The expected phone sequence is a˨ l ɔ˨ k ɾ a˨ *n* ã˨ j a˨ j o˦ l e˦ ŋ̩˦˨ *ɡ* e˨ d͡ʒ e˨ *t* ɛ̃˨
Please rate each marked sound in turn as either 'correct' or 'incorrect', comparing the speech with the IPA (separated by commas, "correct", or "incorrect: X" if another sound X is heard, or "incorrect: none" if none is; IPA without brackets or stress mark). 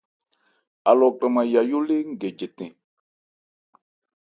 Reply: incorrect: m, correct, correct